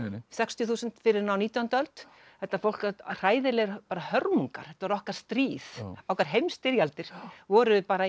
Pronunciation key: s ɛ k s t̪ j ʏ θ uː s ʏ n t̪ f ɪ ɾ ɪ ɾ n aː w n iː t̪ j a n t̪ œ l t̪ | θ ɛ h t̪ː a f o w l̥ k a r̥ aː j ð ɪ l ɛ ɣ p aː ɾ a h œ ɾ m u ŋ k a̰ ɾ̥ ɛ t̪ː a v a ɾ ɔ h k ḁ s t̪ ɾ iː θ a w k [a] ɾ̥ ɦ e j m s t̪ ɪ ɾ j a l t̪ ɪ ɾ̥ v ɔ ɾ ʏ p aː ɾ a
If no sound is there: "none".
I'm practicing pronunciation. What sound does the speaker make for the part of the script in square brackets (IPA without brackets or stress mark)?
a